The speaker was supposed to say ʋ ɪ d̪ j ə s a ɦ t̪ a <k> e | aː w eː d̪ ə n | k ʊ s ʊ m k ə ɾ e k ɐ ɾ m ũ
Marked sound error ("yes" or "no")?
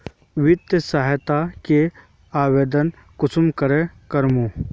no